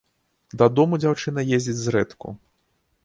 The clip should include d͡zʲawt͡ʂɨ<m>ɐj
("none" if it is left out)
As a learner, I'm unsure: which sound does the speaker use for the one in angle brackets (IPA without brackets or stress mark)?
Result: n